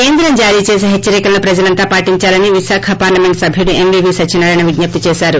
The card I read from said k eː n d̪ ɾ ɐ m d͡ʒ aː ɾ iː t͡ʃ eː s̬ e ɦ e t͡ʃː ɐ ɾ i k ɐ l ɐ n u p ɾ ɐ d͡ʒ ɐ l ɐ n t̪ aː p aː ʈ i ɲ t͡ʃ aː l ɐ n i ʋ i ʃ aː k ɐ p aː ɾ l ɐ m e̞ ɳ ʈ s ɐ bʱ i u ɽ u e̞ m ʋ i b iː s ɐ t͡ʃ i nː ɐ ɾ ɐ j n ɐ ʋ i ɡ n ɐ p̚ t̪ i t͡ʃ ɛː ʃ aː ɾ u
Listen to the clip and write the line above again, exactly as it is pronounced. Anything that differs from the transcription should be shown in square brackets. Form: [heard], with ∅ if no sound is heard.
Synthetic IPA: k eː n d̪ ɾ ɐ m d͡ʒ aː ɾ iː t͡ʃ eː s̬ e ɦ e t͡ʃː ɐ ɾ i k ɐ l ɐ n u p ɾ ɐ d͡ʒ ɐ l ɐ n t̪ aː p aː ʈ i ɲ t͡ʃ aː l ɐ n i ʋ i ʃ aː [kʰ] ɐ p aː ɾ l ɐ m e̞ ɳ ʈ s ɐ bʱ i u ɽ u e̞ m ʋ i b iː s ɐ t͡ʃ i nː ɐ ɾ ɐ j n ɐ ʋ i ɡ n ɐ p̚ t̪ i t͡ʃ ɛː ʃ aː ɾ u